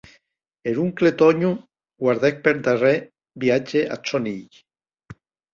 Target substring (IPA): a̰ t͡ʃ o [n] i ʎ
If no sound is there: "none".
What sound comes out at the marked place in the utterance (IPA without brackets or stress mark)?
n